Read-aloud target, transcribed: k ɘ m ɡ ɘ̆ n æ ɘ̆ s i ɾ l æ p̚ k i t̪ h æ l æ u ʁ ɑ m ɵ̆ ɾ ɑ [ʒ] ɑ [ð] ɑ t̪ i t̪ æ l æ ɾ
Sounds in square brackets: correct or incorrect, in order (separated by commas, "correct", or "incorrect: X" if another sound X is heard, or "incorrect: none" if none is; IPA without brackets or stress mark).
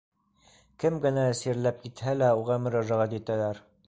correct, incorrect: ʁ